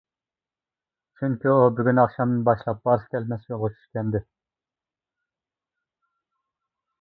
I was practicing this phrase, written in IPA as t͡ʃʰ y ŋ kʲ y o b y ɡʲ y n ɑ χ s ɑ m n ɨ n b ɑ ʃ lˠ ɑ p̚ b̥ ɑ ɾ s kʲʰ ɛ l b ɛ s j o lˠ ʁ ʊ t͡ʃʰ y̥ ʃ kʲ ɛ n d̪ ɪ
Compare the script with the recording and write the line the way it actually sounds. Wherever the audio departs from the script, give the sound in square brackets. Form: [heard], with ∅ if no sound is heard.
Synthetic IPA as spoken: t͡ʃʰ y ŋ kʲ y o b y ɡʲ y n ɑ χ [ʃ] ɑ m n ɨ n b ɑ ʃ lˠ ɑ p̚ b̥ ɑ ɾ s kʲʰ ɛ l [m] ɛ s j o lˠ ʁ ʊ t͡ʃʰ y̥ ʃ kʲ ɛ n d̪ ɪ